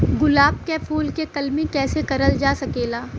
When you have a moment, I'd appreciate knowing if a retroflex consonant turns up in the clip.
no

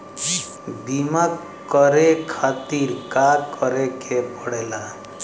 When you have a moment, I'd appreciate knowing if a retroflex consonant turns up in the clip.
yes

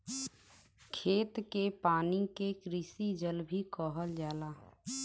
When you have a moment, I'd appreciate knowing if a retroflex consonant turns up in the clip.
no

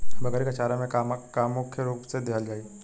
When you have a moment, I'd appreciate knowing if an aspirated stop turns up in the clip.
yes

